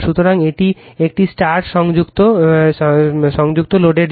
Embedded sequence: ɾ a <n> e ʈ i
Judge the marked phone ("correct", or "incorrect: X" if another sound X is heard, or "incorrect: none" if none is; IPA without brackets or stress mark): incorrect: ŋ